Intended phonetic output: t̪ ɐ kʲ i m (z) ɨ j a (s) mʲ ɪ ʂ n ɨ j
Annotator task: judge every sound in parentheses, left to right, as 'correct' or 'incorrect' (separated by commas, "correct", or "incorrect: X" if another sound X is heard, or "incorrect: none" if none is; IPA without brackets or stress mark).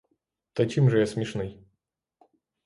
incorrect: ʐ, correct